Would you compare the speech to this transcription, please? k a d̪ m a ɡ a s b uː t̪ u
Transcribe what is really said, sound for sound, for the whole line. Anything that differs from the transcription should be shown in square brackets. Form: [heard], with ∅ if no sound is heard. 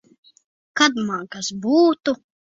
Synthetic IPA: k a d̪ m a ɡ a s b uː t̪ u